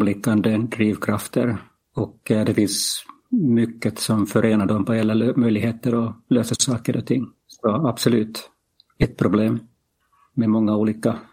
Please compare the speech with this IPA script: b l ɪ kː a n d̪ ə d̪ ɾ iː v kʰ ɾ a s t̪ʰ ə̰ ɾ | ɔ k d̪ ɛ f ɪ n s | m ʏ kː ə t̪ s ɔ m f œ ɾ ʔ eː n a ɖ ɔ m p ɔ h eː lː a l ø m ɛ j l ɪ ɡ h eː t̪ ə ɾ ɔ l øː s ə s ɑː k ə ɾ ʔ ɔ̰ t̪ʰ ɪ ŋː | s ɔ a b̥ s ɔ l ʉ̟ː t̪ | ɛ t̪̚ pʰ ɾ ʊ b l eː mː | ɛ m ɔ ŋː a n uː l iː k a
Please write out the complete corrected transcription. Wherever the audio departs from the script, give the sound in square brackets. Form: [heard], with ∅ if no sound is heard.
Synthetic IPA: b l ɪ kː a n d̪ ə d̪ ɾ iː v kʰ ɾ a [f] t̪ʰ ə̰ ɾ | ɔ k d̪ ɛ f ɪ n s | m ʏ kː ə t̪ s ɔ m f œ ɾ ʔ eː n a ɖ ɔ m p ɔ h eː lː a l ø m [œ] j l ɪ ɡ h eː t̪ ə ɾ ɔ l øː s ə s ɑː k ə ɾ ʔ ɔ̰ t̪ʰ ɪ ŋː | s ɔ a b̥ s ɔ l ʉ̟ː t̪ | ɛ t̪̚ pʰ ɾ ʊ b l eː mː | ɛ m ɔ ŋː a [∅] uː l iː k a